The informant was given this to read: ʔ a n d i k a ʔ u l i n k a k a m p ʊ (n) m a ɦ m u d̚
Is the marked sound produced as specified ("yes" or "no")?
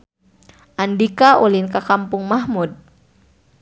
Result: no